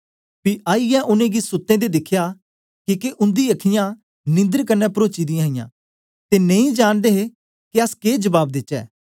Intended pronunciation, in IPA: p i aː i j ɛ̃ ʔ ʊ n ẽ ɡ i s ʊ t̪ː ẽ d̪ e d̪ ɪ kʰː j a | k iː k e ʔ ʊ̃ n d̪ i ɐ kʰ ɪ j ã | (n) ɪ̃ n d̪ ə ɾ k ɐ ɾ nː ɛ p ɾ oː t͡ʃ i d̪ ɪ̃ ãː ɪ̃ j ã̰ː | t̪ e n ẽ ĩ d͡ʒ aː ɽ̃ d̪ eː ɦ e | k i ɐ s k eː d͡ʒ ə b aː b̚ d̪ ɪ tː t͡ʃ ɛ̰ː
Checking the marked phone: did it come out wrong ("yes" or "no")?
no